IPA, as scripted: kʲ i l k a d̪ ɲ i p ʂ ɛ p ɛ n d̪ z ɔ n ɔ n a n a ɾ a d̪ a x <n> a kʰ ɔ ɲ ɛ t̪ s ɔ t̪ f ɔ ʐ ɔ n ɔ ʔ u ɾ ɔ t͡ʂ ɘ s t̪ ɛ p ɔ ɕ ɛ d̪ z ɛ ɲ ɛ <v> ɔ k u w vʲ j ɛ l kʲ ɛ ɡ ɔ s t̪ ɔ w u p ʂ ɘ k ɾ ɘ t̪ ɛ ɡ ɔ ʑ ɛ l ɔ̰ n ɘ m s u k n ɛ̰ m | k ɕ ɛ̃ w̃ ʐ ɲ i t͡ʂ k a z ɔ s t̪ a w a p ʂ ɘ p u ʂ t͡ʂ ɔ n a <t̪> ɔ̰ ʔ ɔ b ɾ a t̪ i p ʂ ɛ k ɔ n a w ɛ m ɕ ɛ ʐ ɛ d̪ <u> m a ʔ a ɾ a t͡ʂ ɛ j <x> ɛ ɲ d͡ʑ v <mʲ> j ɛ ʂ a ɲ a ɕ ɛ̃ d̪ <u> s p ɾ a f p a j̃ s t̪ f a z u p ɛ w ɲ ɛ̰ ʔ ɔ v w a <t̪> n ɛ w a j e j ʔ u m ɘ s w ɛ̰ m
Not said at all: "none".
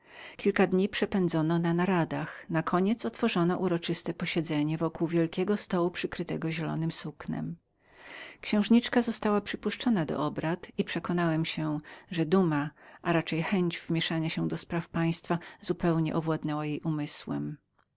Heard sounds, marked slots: n, v, d̪, u, x, mʲ, ɔ, d̪

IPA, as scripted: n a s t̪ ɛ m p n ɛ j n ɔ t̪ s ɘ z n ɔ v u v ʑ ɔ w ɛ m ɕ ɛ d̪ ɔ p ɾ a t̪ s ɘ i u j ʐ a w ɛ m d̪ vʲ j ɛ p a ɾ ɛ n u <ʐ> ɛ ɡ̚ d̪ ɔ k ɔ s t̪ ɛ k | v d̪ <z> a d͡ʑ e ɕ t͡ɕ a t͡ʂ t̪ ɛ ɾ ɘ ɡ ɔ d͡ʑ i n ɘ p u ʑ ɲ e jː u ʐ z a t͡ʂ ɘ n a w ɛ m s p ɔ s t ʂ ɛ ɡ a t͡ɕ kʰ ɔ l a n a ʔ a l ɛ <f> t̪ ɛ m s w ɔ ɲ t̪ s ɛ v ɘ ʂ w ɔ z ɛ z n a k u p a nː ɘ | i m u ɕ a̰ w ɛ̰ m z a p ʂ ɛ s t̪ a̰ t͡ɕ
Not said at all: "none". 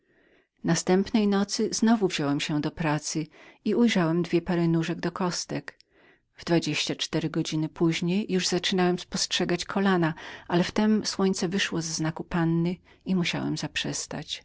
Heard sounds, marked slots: ʐ, v, f

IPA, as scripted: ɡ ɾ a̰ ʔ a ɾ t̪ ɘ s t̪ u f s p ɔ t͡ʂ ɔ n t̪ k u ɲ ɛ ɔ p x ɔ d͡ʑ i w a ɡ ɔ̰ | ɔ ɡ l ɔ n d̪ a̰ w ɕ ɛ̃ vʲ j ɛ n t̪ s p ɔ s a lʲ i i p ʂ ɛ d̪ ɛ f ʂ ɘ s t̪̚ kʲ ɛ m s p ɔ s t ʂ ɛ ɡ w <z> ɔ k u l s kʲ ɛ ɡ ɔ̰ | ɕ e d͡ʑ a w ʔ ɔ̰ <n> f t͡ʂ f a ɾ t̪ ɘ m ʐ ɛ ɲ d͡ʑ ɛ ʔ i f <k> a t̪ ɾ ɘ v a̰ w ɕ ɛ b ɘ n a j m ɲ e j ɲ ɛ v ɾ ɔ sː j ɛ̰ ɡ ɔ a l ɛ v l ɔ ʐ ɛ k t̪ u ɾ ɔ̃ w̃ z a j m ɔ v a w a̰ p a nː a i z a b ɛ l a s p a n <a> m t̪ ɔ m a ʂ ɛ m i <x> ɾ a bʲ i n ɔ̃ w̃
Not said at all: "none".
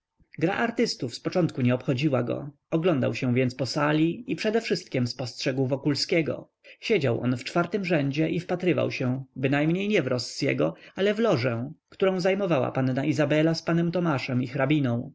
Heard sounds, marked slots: v, n, p, ɛ, x

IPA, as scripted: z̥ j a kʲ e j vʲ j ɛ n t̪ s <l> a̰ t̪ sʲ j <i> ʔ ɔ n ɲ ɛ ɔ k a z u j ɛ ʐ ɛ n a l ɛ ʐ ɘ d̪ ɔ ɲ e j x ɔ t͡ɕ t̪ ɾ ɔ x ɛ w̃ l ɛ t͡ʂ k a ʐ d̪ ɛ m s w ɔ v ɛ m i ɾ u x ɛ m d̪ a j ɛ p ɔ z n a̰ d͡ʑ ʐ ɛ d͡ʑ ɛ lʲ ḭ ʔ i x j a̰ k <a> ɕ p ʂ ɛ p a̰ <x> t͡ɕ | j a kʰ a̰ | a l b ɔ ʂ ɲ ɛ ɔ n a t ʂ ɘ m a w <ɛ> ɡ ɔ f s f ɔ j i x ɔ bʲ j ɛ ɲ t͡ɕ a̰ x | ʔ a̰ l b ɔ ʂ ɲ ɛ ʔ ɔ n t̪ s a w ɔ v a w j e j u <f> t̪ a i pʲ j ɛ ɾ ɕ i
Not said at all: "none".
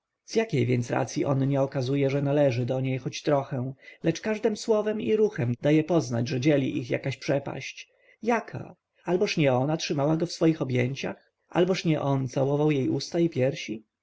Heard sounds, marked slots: ɾ, i, a, ɕ, a, s

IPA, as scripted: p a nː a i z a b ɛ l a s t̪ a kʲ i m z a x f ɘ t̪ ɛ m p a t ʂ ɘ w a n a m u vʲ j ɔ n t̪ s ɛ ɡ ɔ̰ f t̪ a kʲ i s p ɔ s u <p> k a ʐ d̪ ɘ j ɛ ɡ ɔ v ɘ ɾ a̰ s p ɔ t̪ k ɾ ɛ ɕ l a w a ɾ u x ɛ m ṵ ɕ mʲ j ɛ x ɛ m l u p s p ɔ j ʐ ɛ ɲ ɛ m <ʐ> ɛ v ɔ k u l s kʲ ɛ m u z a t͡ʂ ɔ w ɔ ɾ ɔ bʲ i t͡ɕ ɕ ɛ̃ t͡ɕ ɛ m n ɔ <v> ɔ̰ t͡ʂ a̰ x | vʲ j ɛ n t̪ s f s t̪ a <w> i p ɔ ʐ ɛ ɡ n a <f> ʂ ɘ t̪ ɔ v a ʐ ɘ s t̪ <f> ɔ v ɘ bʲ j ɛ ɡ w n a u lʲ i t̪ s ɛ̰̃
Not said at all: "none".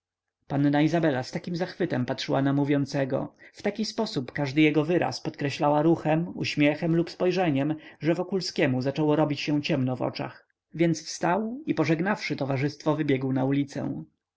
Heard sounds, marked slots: p, ʐ, v, w, f, f

